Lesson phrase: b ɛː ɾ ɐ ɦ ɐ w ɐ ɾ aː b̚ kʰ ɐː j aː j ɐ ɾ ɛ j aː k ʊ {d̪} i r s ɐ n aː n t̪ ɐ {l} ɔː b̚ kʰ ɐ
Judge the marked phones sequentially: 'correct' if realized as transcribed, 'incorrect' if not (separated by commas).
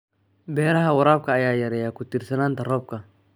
incorrect, incorrect